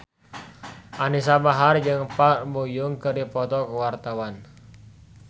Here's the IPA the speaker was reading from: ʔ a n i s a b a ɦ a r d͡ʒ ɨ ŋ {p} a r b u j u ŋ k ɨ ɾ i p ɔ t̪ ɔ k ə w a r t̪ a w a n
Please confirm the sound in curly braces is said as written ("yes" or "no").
yes